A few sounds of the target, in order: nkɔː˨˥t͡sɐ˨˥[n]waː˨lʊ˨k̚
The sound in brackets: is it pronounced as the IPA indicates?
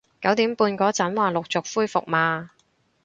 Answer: yes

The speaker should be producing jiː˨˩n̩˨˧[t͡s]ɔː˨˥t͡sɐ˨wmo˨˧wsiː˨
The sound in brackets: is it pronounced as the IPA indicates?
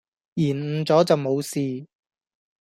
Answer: yes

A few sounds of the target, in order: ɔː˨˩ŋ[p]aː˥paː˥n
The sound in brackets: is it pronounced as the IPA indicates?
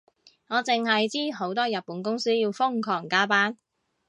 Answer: no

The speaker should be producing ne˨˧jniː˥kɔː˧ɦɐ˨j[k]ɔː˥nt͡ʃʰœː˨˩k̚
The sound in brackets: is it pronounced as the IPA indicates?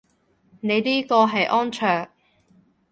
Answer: no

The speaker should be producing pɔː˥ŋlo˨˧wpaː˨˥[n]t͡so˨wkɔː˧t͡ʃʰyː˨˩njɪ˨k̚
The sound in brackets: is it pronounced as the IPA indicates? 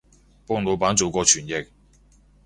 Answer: yes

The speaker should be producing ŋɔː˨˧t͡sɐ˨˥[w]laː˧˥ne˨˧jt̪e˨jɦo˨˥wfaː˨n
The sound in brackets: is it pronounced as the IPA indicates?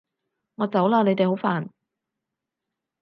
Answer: yes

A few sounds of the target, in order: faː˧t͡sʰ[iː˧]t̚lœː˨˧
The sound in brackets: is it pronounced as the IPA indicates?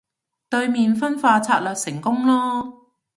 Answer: no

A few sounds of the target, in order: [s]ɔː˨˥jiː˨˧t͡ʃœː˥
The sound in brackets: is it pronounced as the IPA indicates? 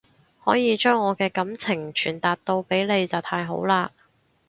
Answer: no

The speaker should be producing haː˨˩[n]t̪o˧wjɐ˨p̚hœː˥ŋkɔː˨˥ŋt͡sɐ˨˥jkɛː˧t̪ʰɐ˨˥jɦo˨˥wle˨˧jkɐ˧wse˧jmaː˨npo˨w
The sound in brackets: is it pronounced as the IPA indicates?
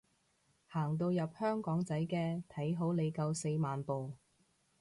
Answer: no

